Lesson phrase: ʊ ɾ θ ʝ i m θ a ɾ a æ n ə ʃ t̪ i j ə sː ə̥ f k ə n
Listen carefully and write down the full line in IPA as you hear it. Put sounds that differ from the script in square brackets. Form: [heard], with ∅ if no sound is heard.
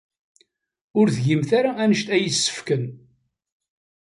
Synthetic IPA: ʊ ɾ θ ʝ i m θ a ɾ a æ n ə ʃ t̪ [æ] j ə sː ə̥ f k ə n

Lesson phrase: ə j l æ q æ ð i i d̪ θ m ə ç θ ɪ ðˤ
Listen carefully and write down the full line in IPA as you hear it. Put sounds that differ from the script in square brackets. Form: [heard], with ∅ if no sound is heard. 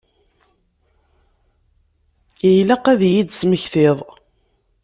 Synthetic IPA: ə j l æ q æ ð [j] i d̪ [s] m ə ç θ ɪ ðˤ

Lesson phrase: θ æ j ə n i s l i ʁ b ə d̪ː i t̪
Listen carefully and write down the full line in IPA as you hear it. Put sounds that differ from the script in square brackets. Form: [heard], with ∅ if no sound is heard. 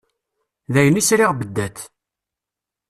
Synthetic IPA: [ð] æ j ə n i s [ɾ] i ʁ b ə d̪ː [æ] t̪

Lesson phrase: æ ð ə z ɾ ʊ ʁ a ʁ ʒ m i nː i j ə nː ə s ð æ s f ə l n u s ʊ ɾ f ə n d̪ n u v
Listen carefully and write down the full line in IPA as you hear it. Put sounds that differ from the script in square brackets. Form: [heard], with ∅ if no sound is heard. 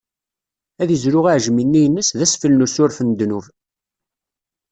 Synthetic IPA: æ ð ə z ɾ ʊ ʁ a [ʕ] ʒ m i nː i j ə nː ə s ð æ s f ə l n u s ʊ ɾ f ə n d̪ n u v

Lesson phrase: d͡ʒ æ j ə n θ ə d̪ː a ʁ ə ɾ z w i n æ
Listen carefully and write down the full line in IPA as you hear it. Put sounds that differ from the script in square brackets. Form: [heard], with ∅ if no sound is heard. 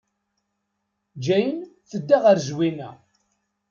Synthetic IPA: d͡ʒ æ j ə n θ ə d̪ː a ʁ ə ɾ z w i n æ

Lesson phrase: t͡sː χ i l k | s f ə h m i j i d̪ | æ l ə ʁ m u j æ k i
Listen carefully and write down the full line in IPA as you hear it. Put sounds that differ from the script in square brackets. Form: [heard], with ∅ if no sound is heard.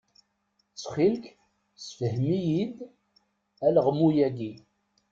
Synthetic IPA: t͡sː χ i l k | s f ə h m i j i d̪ | æ l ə ʁ m u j æ [ɡ] i

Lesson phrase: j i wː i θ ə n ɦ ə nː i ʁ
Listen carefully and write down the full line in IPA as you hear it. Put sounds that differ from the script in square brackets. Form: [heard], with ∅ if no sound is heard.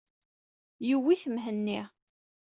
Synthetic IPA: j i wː i θ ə [m] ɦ ə nː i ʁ

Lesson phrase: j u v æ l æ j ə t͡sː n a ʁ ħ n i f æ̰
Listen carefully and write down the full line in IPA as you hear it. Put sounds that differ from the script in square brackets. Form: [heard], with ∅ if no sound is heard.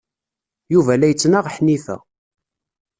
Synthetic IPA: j u v æ l æ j ə t͡sː n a ʁ ħ n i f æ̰

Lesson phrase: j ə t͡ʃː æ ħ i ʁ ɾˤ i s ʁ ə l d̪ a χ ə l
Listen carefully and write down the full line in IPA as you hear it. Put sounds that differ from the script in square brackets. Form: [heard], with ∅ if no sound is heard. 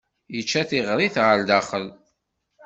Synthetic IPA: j ə t͡ʃː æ [θ] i ʁ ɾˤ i [θ] ʁ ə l d̪ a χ ə l

